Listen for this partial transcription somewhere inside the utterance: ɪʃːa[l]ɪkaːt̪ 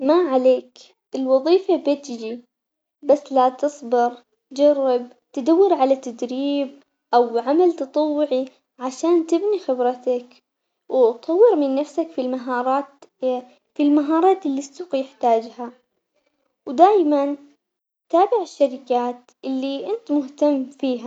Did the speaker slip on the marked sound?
yes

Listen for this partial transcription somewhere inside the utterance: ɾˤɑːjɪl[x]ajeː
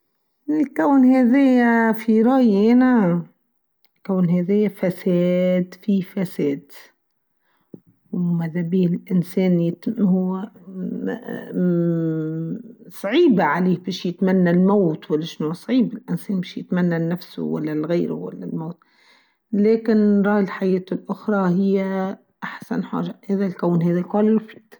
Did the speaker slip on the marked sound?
yes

